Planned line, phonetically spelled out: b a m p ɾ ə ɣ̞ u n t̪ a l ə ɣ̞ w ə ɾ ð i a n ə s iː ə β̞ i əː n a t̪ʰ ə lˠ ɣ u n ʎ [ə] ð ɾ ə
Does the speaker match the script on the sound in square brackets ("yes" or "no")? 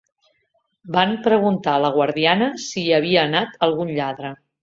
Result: no